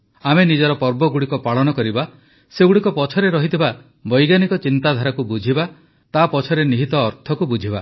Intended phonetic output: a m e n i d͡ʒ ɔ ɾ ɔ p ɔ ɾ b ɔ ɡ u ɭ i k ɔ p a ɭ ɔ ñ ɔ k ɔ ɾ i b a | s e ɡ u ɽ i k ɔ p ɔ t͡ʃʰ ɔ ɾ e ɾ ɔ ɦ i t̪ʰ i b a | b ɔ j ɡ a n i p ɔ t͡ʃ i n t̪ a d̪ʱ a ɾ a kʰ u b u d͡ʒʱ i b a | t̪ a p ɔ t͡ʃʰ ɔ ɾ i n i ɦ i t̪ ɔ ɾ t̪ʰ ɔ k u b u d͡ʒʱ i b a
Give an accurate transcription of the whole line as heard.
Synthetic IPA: a m e n i d͡ʒ ɔ ɾ ɔ p ɔ ɾ b ɔ ɡ u ɽ i k ɔ p a ɭ ɔ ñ ɔ k ɔ ɾ i b a | s e ɡ u ɽ i k ɔ p ɔ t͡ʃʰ ɔ ɾ e ɾ ɔ ɦ i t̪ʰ i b a | b ɔ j ɡ a n i k ɔ t͡ʃ i n t̪ a d̪ʱ a ɾ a k u b u d͡ʒʱ i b a | t̪ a p ɔ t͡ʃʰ ɔ ɾ e n i ɦ i t̪ ɔː ɾ t̪ʰ ɔ k u b u d͡ʒʱ i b a